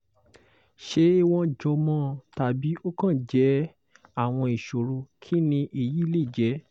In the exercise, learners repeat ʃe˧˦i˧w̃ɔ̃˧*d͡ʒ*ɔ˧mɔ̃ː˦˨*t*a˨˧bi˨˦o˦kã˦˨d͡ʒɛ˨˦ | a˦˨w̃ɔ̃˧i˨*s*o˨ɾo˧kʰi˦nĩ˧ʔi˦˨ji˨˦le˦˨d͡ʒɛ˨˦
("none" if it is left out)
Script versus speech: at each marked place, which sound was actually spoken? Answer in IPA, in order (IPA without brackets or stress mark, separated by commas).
d͡ʒ, t, ʃ